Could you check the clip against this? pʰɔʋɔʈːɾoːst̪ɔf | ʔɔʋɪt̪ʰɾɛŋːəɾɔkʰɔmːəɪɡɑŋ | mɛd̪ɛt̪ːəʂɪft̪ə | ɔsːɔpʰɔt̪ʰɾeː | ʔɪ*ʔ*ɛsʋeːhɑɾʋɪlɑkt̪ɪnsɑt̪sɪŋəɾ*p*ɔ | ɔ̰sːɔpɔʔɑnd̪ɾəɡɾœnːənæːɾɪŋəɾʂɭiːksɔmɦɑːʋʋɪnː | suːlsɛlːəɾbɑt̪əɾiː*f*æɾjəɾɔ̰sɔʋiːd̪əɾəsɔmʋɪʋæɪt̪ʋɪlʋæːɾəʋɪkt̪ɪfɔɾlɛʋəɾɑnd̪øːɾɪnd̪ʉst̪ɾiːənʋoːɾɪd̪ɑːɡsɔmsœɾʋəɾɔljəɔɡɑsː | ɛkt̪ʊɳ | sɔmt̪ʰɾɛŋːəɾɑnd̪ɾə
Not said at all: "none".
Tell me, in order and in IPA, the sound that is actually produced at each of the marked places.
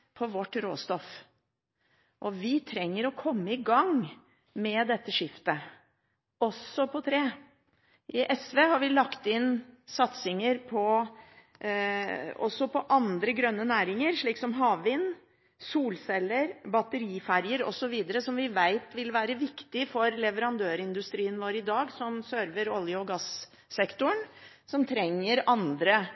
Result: ʔ, pʰ, f

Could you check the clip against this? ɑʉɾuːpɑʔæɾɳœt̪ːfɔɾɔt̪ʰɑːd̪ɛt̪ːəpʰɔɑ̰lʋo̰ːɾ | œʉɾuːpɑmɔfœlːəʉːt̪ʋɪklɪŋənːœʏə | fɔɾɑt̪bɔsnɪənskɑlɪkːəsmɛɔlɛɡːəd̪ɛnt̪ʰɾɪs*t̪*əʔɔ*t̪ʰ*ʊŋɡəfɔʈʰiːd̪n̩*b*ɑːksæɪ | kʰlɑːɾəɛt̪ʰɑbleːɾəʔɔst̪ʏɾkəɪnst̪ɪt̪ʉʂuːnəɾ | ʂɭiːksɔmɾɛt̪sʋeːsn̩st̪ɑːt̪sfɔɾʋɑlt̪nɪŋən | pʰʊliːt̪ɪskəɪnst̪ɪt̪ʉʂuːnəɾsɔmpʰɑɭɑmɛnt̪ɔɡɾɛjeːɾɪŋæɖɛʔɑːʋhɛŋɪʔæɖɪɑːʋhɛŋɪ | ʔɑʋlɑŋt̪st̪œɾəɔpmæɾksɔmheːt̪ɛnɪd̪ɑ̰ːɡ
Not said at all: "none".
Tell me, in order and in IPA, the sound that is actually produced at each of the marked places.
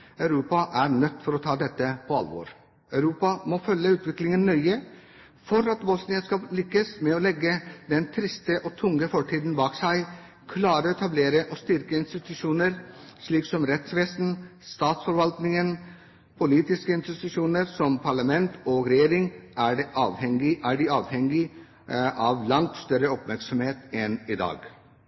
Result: t̪, t̪ʰ, b

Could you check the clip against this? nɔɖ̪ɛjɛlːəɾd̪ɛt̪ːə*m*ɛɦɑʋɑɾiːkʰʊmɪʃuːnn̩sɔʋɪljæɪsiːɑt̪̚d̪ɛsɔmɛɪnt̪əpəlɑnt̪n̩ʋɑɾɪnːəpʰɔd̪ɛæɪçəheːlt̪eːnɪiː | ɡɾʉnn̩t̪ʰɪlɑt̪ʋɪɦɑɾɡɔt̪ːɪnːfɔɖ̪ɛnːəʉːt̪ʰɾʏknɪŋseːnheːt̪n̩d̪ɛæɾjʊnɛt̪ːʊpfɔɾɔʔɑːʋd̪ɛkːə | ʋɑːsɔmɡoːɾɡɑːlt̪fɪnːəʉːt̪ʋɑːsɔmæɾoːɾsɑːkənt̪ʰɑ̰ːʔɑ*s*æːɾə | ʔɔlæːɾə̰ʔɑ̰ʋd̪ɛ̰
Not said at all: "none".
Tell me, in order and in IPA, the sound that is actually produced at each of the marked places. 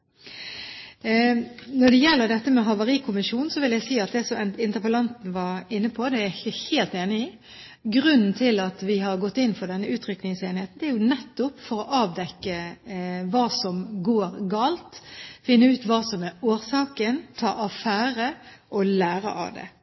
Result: m, f

